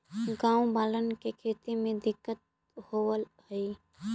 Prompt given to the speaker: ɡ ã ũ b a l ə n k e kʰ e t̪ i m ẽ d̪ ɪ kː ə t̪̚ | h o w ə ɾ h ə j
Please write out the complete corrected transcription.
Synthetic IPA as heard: ɡ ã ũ b a l ə n k e kʰ e t̪ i m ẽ d̪ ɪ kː ə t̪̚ | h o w ə l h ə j